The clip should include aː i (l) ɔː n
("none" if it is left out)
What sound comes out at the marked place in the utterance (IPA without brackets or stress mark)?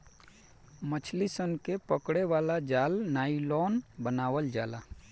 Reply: l